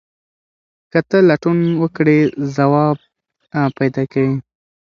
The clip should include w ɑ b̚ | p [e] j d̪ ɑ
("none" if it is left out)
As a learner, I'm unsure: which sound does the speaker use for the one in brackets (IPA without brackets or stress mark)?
a